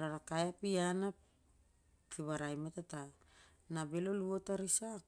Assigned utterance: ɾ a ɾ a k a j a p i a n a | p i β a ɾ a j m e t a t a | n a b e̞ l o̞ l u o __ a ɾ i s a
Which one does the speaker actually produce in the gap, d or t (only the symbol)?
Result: t